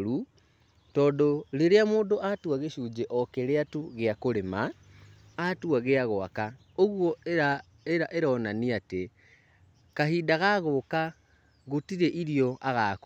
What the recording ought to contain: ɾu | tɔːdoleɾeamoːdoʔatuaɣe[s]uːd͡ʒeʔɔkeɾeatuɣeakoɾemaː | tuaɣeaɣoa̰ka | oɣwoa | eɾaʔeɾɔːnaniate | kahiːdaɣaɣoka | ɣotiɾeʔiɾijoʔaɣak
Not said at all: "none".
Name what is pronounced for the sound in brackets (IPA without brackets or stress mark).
ʃ